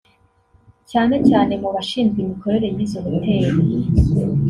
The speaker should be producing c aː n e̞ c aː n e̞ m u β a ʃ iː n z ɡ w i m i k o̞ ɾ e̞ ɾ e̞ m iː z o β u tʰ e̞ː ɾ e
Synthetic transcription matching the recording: c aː n e̞ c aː n e̞ m u β a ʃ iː n z ɡ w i m i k o̞ ɾ e̞ ɾ e̞ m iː z o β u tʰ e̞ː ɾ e